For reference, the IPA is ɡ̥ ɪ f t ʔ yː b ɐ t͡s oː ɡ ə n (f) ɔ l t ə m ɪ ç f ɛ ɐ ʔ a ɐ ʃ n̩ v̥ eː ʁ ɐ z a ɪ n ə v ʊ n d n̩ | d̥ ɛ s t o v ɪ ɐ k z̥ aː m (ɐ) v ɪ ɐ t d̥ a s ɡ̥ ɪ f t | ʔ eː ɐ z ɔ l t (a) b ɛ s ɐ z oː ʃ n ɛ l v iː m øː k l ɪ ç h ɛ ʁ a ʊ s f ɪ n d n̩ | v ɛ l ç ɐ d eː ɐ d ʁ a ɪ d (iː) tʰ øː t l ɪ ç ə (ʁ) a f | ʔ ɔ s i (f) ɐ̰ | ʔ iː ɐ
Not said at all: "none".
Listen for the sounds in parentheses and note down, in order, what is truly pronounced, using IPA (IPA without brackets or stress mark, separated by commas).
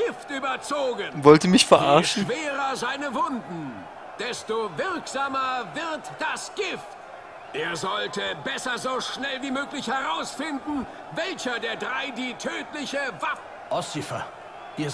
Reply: v, ɐ, ə, iː, v, f